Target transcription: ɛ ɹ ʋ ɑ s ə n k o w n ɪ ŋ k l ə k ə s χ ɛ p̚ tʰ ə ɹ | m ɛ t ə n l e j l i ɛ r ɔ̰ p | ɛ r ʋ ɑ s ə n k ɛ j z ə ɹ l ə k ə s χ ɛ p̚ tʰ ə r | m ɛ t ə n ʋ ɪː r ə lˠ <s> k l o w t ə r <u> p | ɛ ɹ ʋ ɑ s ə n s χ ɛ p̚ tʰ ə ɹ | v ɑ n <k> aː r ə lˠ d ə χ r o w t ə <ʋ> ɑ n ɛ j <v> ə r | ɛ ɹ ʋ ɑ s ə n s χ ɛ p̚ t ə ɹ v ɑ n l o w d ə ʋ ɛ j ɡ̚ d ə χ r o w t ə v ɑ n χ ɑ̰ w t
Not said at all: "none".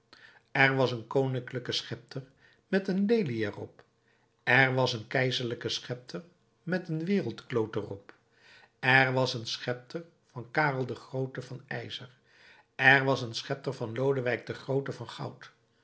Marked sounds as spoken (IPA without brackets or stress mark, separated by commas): t, ɔ, k, v, z